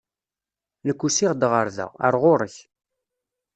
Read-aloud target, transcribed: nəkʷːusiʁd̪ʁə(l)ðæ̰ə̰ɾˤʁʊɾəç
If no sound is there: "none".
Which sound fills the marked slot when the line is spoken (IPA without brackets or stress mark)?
ɾ